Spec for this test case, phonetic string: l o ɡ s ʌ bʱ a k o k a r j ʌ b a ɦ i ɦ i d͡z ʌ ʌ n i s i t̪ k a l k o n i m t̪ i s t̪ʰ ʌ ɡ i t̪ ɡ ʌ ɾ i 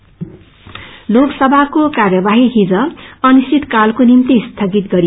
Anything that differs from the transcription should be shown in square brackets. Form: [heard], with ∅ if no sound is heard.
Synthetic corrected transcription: l o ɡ s ʌ bʱ a k o k a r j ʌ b a ɦ i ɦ i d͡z ʌ ʌ n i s i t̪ k a l k o n i m t̪ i s t̪ʰ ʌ ɡ i t̪ ɡ ʌ ɾ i